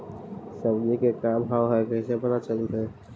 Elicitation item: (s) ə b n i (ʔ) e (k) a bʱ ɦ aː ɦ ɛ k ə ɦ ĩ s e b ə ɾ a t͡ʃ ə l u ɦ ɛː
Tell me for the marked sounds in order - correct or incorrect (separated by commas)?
correct, incorrect, correct